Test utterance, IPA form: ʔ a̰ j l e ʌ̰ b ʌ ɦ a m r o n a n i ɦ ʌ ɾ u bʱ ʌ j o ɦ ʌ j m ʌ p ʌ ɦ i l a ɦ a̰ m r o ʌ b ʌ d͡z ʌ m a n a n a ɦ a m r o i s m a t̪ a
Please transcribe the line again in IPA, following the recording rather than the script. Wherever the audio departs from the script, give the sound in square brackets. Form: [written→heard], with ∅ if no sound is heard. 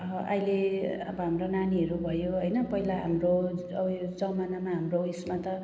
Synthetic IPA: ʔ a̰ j l e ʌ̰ b ʌ ɦ a m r o n a n i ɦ ʌ ɾ u bʱ ʌ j o ɦ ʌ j [m→n] ʌ p ʌ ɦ i l a ɦ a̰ m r o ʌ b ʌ d͡z ʌ m a n a [n→m] a ɦ a m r o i s m a t̪ [a→ʌ]